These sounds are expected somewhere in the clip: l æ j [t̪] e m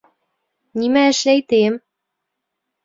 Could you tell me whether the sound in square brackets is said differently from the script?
no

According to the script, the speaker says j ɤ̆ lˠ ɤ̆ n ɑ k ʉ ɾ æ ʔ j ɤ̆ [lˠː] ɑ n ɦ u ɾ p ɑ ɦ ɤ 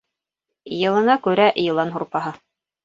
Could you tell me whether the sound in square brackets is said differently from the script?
yes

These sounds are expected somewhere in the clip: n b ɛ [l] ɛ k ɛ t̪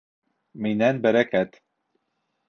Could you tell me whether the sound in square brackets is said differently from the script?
yes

